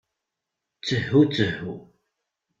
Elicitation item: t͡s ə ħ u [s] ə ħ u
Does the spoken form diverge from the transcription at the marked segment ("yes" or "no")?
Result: yes